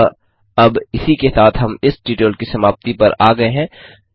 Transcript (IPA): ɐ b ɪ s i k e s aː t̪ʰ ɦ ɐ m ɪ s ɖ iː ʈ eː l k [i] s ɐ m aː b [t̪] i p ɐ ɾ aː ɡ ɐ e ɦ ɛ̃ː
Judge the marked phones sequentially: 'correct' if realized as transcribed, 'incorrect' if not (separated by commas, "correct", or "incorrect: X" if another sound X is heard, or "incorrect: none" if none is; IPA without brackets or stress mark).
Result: correct, correct